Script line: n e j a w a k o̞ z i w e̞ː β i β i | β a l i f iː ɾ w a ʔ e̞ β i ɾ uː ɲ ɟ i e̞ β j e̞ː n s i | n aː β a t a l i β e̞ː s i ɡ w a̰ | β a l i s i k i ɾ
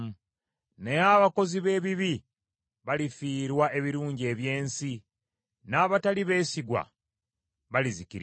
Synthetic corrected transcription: n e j a β a k o̞ z i β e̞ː β i β i | β a l i f iː ɾ w a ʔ e̞ β i ɾ uː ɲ ɟ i e̞ β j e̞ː n s i | n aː β a t a l i β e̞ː s i ɡ w a̰ | β a l i z i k i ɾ